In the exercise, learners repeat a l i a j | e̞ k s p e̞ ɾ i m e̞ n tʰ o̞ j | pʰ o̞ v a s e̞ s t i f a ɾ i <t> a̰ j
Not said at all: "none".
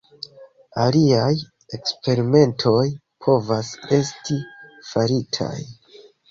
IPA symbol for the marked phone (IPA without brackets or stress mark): tʰ